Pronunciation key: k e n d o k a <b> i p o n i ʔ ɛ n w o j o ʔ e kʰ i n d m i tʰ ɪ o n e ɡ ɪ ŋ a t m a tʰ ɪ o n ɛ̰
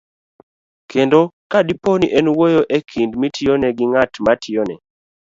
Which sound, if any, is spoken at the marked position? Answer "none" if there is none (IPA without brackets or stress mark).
d